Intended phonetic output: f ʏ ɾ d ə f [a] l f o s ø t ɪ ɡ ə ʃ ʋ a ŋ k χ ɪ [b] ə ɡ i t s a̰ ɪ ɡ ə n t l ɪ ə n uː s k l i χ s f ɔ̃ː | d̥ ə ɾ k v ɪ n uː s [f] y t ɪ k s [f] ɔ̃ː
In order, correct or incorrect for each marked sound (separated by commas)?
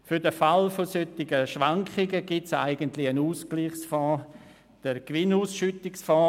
correct, incorrect, incorrect, correct